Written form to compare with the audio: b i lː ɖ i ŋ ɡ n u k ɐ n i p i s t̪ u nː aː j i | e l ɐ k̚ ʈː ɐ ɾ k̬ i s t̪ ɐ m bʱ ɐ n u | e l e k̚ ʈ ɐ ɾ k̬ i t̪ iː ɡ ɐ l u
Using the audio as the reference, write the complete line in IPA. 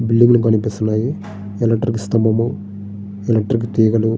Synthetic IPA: b i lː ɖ i ŋ ɡ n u k ɐ n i p i s t̪ u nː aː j i | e l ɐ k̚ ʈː ɐ ɾ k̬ i s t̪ ɐ m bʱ ɐ m u | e l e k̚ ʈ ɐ ɾ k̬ i t̪ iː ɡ ɐ l u

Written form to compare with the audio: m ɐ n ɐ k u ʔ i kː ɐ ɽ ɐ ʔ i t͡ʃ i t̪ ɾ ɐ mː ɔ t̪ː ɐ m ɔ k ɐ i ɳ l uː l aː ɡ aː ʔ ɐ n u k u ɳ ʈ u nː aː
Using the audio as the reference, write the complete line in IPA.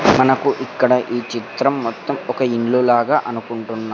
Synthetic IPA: m ɐ n ɐ k u ʔ i kː ɐ ɽ ɐ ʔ iː t͡ʃ i t̪ ɾ ɐ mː ɔ t̪ː ɐ m ɔ k ɐ i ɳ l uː l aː ɡ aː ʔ ɐ n u k u ɳ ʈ u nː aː

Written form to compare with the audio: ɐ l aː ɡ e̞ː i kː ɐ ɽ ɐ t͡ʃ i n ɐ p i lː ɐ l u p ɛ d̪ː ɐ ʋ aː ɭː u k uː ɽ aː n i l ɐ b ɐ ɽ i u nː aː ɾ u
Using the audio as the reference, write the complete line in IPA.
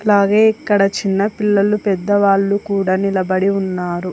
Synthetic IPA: ɐ l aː ɡ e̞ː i kː ɐ ɽ ɐ t͡ʃ i nː ɐ p i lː ɐ l u p ɛ d̪ː ɐ ʋ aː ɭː u k uː ɽ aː n i l ɐ b ɐ ɽ i u nː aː ɾ u

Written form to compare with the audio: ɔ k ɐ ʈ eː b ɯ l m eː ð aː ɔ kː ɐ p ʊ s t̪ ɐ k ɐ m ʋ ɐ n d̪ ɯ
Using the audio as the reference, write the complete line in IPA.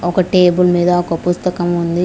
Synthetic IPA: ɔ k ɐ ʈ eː b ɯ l m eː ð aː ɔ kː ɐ p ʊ s t̪ ɐ k ɐ m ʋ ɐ n d̪ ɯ

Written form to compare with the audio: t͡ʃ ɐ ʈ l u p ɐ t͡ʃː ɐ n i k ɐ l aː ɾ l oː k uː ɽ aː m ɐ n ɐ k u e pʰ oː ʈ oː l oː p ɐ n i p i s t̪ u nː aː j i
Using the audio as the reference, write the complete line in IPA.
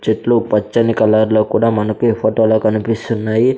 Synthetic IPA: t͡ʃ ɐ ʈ l u p ɐ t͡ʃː ɐ n i k ɐ l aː ɾ l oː k uː ɽ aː m ɐ n ɐ k u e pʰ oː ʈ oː l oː k ɐ n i p i s t̪ u nː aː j i

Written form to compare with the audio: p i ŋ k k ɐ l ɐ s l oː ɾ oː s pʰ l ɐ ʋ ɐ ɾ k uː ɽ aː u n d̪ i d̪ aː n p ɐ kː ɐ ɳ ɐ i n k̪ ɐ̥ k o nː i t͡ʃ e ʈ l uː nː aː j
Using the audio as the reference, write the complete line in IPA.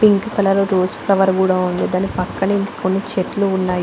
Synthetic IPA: p i ŋ k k ɐ l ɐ l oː ɾ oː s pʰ l ɐ ʋ ɐ ɾ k uː ɽ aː u n d̪ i d̪ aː n p ɐ kː ɐ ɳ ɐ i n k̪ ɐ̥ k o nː i t͡ʃ e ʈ l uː nː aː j

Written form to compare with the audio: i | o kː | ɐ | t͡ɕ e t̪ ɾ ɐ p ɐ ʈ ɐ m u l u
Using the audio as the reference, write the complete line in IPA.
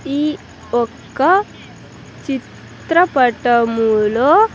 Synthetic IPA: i | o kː | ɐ | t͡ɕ i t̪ ɾ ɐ p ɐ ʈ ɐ m u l o

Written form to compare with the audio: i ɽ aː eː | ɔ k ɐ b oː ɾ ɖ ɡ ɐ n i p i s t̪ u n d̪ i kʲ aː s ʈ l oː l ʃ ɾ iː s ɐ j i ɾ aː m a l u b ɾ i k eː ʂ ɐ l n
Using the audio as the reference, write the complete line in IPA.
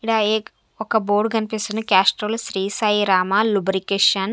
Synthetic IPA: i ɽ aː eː | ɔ k ɐ b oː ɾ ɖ ɡ ɐ n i p i s t̪ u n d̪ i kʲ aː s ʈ ɾ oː l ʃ ɾ iː s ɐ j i ɾ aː m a l u b ɾ i k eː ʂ ɐ n

